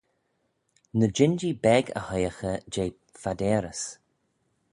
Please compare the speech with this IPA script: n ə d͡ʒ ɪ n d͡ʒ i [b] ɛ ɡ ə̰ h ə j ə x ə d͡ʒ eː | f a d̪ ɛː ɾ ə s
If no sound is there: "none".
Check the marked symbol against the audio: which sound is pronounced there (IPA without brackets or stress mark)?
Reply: b